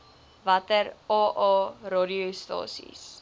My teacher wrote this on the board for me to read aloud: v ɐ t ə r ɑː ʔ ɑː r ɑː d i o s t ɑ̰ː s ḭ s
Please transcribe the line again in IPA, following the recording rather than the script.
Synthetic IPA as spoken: v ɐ t ə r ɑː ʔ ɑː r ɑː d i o s t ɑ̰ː s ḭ s